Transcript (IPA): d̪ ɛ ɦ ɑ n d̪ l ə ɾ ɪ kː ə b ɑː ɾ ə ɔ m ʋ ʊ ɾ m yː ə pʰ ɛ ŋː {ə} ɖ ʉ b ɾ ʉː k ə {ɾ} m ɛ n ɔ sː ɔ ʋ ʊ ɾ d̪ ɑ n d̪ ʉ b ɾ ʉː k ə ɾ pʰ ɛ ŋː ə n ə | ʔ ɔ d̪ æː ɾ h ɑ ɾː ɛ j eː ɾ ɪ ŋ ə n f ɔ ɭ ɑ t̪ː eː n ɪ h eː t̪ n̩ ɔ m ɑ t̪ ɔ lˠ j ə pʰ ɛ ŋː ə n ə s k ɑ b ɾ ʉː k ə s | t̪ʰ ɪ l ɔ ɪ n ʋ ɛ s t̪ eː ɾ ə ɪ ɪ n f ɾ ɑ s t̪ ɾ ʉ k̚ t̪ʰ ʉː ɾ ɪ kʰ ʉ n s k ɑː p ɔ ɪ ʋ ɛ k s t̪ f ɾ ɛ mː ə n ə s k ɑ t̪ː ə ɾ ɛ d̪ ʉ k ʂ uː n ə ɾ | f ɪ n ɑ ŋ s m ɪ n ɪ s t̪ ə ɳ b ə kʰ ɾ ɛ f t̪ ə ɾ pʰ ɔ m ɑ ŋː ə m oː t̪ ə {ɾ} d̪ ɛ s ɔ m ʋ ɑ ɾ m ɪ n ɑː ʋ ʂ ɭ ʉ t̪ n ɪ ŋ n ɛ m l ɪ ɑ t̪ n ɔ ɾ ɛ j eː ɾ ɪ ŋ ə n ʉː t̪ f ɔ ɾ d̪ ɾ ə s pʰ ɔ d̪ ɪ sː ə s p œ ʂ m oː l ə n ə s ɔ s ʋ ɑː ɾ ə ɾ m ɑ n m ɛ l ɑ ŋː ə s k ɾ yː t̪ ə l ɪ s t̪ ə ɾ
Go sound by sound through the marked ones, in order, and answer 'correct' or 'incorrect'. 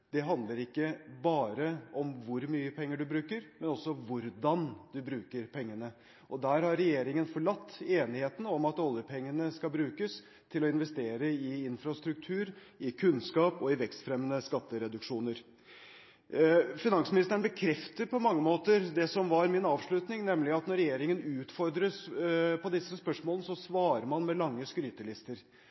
correct, correct, correct

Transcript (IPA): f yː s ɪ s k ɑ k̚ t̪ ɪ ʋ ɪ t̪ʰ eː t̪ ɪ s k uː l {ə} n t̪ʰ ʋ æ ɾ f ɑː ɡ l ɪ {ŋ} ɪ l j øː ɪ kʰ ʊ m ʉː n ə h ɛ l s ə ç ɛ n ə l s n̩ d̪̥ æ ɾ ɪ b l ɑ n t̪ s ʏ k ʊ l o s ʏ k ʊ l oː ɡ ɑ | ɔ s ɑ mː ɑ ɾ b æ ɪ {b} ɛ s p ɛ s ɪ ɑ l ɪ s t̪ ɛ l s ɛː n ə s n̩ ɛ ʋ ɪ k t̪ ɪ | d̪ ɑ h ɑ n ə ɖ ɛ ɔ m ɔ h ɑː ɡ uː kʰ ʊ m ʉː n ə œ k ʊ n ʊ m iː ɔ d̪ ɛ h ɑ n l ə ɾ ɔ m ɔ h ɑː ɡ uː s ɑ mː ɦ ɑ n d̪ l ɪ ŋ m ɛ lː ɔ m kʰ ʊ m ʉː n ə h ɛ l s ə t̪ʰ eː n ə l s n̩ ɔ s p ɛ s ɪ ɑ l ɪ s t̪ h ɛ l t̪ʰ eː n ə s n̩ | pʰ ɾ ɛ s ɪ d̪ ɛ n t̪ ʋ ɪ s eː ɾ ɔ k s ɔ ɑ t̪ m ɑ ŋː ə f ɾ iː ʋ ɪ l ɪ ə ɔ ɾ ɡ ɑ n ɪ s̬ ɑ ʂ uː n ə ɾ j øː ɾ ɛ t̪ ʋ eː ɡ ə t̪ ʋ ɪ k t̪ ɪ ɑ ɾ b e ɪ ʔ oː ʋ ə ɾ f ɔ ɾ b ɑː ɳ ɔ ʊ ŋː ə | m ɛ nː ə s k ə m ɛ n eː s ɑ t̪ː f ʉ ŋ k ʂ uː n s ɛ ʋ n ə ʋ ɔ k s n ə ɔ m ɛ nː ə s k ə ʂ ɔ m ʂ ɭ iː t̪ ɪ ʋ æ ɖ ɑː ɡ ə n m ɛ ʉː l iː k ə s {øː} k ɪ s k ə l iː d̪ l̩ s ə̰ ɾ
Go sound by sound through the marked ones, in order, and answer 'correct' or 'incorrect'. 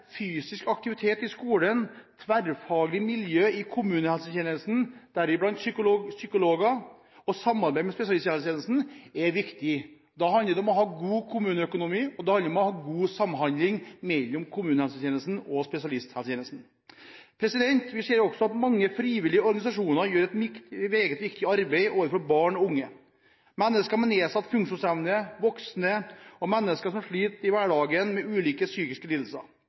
correct, incorrect, incorrect, incorrect

